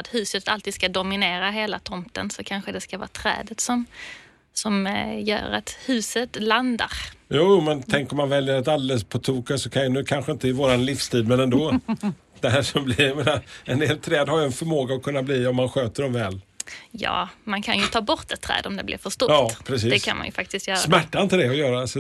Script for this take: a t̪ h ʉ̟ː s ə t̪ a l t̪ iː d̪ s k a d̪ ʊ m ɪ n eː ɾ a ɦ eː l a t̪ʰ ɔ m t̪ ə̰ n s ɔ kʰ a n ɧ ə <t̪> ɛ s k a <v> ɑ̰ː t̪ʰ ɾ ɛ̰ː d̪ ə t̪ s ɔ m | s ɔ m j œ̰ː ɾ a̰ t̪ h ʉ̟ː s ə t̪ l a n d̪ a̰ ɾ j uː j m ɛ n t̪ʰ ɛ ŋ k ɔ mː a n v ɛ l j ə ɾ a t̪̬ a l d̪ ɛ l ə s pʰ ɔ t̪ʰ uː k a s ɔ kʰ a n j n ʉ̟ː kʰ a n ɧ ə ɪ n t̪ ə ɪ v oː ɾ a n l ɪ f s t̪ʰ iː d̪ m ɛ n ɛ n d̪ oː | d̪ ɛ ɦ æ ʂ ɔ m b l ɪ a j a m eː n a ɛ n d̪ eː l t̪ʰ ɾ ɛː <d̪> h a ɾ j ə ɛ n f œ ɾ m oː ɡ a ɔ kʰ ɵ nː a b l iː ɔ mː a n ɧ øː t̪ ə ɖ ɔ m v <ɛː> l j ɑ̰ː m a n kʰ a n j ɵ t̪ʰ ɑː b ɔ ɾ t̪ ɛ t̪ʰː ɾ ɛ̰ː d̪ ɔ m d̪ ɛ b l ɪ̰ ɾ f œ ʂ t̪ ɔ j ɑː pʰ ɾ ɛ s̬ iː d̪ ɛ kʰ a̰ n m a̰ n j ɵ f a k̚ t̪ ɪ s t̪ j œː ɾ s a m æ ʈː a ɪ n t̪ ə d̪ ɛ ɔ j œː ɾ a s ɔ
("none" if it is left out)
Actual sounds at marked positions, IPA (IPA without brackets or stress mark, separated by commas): d̪, v, d̪, ɛː